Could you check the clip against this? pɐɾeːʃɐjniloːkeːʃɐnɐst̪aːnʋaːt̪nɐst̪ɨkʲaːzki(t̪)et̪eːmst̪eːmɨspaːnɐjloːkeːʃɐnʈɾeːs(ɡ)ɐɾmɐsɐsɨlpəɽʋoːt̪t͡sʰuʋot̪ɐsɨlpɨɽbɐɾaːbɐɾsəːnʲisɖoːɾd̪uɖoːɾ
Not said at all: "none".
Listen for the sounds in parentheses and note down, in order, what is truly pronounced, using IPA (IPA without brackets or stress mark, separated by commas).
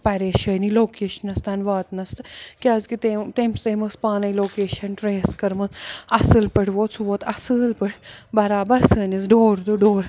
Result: t̪, k